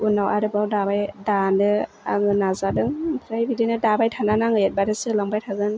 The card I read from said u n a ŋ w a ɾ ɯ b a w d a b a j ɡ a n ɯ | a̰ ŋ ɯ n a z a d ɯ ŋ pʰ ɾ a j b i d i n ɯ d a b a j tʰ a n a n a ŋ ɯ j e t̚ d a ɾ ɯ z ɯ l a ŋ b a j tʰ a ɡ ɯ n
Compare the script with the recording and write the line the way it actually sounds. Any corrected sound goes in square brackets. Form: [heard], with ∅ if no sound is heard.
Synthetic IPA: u n a [∅] w a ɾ ɯ b a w d a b a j [d] a n ɯ | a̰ ŋ ɯ n a z a d ɯ ŋ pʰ ɾ a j b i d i n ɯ d a b a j tʰ a n a n a ŋ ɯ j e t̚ [b] a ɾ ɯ [s] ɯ l a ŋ b a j tʰ a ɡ ɯ n